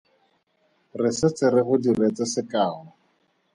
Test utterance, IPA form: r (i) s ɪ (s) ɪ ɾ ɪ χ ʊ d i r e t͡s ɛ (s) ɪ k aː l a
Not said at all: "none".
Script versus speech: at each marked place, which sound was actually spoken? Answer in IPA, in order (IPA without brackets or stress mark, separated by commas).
ɪ, t͡s, s